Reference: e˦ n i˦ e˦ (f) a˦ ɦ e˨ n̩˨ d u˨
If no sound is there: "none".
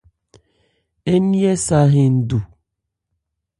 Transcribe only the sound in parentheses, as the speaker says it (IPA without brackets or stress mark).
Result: s